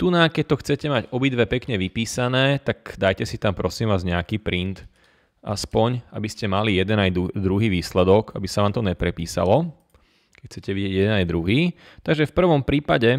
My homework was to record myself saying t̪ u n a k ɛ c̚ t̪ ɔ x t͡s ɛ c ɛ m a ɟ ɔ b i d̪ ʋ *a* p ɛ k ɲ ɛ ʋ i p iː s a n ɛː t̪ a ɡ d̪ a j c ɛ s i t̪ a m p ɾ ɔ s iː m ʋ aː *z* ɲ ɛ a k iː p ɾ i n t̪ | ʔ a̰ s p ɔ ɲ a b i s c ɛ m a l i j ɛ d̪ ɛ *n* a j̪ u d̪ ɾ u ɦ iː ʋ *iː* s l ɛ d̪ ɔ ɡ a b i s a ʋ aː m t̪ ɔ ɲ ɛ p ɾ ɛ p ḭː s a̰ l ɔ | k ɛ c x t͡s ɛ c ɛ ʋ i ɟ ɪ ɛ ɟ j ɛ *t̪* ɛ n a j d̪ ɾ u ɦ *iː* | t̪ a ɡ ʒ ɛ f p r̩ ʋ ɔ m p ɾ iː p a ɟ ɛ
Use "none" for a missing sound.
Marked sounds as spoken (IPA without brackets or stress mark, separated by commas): ɛ, z, n, iː, d̪, iː